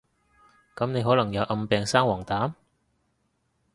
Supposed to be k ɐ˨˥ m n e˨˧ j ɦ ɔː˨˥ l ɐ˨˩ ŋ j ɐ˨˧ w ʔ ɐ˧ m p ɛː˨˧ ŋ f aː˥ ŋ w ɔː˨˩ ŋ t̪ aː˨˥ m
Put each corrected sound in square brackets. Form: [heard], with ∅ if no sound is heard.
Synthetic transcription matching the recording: k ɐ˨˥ m n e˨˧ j ɦ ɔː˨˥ l ɐ˨˩ ŋ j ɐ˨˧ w ʔ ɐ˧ m p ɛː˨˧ ŋ [s] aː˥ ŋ w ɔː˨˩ ŋ t̪ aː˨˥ m